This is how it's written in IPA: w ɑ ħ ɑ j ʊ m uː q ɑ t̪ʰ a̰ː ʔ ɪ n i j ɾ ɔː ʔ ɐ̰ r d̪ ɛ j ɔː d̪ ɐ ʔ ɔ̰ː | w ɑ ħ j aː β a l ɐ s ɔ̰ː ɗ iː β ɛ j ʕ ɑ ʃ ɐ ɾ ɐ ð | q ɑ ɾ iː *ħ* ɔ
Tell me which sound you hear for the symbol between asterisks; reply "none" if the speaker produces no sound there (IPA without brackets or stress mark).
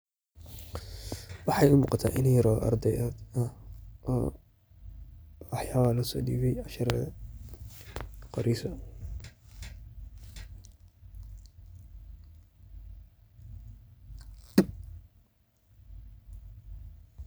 s